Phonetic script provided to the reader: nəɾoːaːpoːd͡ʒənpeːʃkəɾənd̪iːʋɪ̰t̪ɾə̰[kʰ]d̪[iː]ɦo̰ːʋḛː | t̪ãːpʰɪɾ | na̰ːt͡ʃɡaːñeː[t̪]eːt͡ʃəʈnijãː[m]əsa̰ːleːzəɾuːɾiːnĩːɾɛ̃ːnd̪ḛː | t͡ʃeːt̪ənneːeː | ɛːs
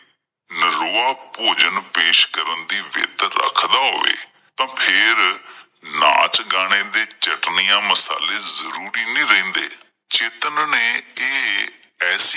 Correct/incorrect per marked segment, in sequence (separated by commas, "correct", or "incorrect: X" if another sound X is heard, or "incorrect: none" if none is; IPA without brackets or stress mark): correct, incorrect: aː, incorrect: d̪, correct